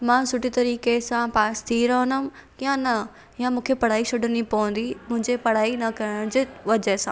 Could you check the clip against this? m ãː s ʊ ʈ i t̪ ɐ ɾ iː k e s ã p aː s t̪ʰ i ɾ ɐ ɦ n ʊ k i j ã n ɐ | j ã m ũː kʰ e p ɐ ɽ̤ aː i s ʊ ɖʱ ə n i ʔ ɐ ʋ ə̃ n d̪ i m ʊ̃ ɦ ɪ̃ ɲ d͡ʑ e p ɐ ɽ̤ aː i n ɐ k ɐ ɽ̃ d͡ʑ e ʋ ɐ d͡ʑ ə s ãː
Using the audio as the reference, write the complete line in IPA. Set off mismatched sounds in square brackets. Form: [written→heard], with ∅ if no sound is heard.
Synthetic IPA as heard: m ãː s ʊ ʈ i t̪ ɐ ɾ iː k e s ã p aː s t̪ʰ i ɾ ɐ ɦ n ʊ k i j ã n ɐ | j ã m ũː kʰ e p ɐ ɽ̤ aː i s ʊ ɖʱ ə n i [ʔ→p] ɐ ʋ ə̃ n d̪ i m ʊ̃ ɦ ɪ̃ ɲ d͡ʑ e p ɐ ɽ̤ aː i n ɐ k ɐ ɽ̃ d͡ʑ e ʋ ɐ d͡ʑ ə s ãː